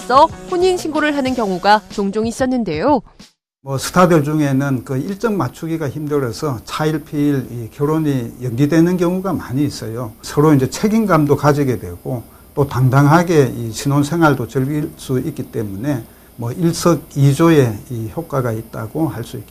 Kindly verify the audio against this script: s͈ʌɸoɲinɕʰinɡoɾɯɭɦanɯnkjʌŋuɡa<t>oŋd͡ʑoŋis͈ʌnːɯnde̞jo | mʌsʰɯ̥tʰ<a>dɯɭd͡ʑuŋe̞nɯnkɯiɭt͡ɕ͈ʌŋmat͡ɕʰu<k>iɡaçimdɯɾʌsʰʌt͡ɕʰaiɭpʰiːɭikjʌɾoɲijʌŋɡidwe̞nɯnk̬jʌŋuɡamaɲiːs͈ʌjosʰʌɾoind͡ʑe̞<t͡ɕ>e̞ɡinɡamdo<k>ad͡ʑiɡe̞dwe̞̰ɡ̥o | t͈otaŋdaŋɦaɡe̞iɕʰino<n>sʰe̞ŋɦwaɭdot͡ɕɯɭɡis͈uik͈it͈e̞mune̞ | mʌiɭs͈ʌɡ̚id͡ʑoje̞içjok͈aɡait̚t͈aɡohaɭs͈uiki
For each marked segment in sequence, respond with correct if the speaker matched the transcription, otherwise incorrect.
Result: incorrect: t͡ɕ, correct, incorrect: ɡ, incorrect: t͡ɕʰ, correct, correct

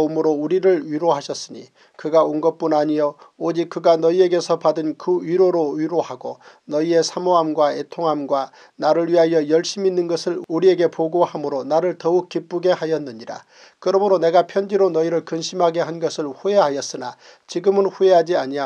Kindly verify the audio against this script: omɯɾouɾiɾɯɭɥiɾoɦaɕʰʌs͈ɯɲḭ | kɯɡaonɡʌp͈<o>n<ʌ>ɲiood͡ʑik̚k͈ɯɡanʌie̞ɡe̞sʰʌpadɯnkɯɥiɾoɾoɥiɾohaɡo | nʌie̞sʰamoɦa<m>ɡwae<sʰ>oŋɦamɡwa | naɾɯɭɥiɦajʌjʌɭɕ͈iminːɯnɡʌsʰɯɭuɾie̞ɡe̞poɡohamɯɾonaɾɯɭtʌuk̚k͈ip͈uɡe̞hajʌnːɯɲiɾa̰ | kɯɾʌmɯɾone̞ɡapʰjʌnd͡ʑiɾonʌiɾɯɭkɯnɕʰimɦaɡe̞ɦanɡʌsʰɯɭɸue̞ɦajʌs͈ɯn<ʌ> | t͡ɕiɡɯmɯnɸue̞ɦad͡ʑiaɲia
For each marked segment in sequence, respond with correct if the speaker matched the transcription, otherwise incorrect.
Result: incorrect: u, incorrect: a, correct, incorrect: tʰ, incorrect: a

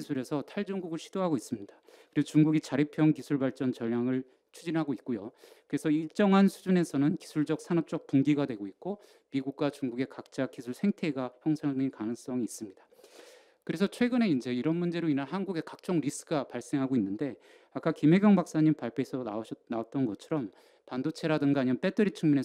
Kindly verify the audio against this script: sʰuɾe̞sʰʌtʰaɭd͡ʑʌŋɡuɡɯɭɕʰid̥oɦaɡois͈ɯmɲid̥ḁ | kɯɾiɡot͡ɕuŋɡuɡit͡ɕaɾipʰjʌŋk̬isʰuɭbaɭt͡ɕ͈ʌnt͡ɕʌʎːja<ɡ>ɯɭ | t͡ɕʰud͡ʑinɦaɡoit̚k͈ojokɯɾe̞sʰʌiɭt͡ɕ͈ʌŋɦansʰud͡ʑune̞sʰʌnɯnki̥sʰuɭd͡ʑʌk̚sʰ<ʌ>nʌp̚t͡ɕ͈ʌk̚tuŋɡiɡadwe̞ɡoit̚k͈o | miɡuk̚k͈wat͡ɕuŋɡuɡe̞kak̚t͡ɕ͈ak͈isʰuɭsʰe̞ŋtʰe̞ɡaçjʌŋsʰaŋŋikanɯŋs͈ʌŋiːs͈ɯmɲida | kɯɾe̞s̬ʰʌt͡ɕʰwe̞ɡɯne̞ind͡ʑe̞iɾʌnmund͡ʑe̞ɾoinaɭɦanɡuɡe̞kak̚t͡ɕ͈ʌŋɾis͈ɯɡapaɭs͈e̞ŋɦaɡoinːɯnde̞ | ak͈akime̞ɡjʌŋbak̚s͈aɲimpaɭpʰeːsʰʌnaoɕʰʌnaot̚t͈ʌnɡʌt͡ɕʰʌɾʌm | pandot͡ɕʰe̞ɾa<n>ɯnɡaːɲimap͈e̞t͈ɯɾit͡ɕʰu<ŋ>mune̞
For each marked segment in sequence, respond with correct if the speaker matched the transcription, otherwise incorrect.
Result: incorrect: ŋ, incorrect: a, incorrect: d, correct

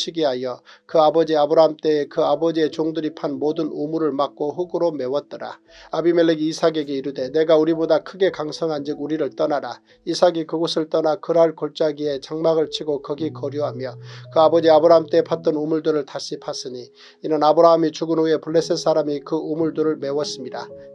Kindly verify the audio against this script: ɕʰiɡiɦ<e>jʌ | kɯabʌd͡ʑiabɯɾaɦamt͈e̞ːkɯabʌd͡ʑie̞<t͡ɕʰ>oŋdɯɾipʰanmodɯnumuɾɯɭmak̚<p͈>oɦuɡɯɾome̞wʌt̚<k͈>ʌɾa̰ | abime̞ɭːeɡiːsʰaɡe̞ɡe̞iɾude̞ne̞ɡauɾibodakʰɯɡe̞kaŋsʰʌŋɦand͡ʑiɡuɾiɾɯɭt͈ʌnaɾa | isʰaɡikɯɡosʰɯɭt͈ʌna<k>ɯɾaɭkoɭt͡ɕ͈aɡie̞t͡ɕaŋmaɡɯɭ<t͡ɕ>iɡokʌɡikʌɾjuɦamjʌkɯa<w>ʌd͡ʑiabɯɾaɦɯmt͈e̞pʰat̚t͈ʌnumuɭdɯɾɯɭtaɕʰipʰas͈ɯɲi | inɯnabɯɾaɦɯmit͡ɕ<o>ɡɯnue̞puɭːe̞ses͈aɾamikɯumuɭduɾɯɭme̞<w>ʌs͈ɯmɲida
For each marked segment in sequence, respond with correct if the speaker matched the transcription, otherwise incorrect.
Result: incorrect: a, incorrect: t͡ɕ, incorrect: k͈, incorrect: t͈, correct, incorrect: t͡ɕʰ, incorrect: b, incorrect: u, correct

